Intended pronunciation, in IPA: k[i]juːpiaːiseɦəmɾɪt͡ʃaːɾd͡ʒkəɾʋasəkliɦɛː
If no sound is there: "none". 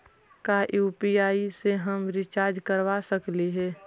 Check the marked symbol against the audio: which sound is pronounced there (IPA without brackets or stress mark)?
a